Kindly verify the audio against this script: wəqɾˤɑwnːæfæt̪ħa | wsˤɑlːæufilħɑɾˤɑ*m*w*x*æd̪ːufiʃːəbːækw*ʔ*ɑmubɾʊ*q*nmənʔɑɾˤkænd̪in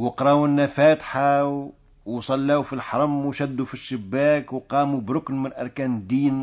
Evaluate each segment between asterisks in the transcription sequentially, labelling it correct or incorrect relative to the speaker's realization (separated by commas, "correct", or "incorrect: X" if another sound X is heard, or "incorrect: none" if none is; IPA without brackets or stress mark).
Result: correct, incorrect: ʃ, incorrect: q, incorrect: k